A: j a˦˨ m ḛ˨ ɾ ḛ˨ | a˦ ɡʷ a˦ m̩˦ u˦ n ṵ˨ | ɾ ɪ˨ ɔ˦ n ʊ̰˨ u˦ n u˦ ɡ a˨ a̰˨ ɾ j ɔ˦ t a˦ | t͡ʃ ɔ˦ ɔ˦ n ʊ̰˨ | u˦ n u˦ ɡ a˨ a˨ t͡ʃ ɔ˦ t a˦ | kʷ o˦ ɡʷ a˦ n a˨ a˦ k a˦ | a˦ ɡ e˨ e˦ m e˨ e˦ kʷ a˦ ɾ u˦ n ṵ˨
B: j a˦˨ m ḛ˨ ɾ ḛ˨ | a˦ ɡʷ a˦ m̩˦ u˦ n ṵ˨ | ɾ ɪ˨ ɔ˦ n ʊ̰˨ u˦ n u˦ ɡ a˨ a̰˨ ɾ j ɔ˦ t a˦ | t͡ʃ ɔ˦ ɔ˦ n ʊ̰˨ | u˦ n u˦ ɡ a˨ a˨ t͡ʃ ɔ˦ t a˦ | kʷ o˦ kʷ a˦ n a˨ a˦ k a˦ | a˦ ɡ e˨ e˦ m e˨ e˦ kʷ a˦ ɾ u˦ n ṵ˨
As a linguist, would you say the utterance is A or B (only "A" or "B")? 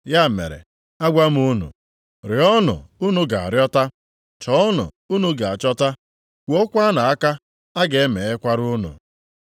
B